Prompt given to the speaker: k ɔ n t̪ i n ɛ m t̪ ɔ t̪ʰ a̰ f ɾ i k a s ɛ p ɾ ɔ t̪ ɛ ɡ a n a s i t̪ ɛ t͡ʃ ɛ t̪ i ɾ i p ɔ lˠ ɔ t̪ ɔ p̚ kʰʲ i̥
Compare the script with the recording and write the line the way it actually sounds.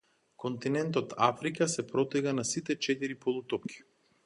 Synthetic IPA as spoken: k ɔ n t̪ i n ɛ n t̪ ɔ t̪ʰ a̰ f ɾ i k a s ɛ p ɾ ɔ t̪ ɛ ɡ a n a s i t̪ ɛ t͡ʃ ɛ t̪ i ɾ i p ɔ lˠ u t̪ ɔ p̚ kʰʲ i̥